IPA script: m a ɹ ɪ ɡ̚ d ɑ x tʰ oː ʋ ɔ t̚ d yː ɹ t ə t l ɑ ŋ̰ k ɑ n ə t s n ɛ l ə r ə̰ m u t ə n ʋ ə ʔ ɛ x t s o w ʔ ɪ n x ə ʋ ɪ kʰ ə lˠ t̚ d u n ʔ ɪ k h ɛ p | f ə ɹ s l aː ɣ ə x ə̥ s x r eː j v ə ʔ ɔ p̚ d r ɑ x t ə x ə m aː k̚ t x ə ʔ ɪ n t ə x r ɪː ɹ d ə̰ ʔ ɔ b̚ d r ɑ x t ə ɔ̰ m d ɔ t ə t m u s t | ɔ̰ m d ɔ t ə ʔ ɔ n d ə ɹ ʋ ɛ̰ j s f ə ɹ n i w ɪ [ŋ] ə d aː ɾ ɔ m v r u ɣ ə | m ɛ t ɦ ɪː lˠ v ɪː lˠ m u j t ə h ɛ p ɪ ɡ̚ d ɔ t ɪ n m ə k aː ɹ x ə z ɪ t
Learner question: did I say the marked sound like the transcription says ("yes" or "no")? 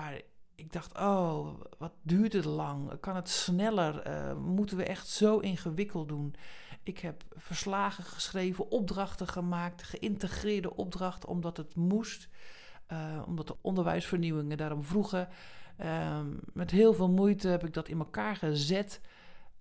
yes